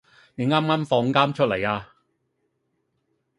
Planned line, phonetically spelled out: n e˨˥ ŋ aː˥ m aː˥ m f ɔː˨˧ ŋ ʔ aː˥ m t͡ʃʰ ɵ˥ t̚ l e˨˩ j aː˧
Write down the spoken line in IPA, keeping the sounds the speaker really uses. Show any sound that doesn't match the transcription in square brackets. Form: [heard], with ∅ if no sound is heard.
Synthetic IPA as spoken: n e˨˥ ŋ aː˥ m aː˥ m f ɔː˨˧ ŋ [k] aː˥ m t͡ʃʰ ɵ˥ t̚ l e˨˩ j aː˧